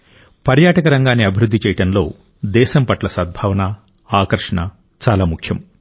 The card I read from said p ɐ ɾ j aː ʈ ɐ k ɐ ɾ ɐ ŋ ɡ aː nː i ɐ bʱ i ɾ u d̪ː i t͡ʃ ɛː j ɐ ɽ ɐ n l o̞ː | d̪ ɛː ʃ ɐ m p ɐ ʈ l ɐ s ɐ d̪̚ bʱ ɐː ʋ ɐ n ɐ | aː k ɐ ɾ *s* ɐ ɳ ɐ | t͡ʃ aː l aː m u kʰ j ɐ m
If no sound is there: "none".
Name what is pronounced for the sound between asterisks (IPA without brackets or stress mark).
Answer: ʂ